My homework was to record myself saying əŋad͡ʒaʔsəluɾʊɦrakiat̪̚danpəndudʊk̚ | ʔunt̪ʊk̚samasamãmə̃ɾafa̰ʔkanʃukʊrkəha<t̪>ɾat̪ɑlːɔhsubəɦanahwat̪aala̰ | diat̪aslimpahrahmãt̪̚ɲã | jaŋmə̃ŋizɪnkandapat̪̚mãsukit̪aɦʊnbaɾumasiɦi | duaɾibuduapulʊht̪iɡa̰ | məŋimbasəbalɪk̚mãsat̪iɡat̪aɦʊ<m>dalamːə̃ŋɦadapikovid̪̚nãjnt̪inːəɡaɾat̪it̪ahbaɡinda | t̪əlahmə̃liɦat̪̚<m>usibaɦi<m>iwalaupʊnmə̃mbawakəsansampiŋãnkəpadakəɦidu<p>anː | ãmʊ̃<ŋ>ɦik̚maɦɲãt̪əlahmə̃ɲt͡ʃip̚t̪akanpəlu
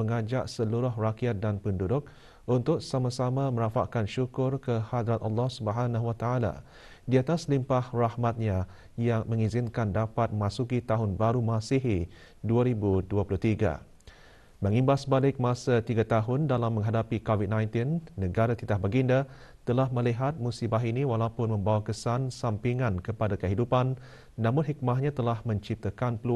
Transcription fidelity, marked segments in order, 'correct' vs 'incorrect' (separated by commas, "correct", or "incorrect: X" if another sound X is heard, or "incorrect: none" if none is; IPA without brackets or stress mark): incorrect: d̪, incorrect: n, correct, incorrect: n, correct, incorrect: n